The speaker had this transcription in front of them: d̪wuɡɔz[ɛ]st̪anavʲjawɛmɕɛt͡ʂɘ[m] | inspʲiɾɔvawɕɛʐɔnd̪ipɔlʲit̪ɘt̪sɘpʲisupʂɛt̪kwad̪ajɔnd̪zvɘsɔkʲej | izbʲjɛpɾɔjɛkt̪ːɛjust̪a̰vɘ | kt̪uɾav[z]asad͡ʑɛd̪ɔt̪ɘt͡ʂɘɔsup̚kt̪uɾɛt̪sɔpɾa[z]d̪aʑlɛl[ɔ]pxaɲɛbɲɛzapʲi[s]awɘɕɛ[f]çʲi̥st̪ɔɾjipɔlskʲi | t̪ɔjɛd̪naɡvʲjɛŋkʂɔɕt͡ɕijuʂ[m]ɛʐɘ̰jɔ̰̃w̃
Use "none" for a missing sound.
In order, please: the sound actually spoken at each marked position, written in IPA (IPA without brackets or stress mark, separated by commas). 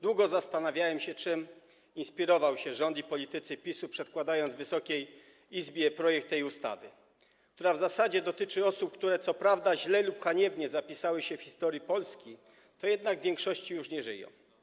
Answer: a, m, z, v, u, s, f, ɲ